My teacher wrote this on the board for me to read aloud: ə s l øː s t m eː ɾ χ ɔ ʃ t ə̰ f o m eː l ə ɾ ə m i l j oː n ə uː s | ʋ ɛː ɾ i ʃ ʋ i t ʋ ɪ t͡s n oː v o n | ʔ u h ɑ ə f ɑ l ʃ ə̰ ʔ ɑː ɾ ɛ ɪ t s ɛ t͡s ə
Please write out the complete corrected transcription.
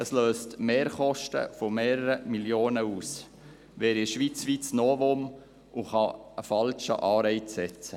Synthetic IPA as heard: ə s l øː s t m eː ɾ χ ɔ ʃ t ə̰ f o m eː ɾ ə ɾ ə m i l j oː n ə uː s | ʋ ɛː ɾ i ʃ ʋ i t͡s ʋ i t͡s n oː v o m | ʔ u χ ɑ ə f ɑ l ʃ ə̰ ʔ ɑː ɾ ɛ ɪ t s ɛ t͡s ə